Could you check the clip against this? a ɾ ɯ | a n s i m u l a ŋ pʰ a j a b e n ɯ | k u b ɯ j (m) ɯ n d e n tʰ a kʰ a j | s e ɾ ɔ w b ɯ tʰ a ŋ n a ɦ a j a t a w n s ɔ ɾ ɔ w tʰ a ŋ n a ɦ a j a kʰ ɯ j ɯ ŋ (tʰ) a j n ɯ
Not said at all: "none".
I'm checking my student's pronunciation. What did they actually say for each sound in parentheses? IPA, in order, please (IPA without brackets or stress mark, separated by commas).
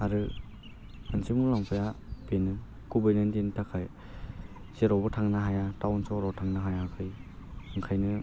n, kʰ